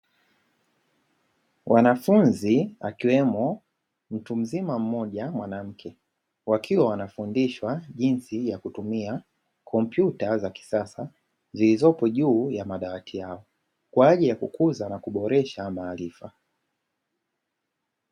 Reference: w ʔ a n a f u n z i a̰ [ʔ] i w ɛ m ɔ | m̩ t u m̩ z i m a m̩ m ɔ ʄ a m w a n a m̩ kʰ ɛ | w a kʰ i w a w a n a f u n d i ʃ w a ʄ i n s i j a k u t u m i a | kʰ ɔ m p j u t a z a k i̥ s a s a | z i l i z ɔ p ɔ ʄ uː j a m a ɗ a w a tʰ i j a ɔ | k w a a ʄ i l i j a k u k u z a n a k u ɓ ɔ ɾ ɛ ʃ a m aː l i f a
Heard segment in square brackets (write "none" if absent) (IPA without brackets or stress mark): k